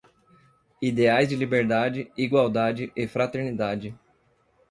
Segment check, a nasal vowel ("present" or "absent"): absent